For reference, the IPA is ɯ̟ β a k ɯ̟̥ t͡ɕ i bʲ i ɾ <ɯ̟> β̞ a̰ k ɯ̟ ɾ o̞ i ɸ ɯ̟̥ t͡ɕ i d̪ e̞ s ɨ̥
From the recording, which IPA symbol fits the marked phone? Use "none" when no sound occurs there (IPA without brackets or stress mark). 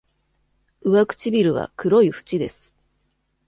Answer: ɯ̟